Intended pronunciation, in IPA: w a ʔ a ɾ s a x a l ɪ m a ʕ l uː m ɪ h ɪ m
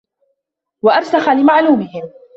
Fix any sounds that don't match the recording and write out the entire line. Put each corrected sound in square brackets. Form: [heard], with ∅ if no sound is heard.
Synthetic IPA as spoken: w a ʔ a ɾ s a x a l ɪ m a ʕ l uː m ɪ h ɪ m